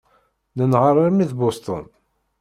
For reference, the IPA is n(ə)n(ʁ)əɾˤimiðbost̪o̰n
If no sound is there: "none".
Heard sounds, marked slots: ə, ʁ

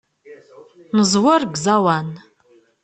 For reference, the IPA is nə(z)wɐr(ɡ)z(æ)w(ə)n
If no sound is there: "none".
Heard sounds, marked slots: z, ɡ, a, a

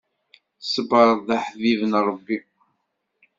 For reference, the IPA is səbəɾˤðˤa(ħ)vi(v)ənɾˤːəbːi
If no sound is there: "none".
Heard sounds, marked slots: ħ, v

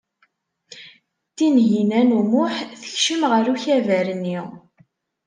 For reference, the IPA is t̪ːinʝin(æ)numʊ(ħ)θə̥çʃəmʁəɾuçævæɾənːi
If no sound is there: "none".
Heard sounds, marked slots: æ, ħ

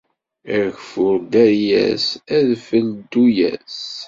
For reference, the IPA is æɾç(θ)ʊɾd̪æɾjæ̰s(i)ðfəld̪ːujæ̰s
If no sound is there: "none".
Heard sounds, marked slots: f, æ

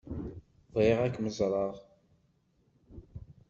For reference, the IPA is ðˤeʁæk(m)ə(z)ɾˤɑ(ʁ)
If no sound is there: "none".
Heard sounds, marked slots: m, z, ʁ

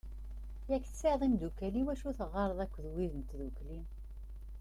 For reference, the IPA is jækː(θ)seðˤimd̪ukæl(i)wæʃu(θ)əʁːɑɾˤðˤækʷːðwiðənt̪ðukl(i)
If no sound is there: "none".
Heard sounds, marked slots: θ, i, θ, i

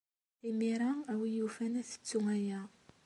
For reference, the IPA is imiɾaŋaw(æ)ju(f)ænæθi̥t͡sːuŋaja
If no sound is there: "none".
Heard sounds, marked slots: i, f

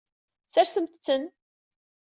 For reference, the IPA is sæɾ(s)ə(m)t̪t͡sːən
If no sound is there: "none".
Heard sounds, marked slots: s, m

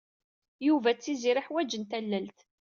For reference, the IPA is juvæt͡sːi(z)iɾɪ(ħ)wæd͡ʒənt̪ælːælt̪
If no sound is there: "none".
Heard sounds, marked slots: z, ħ

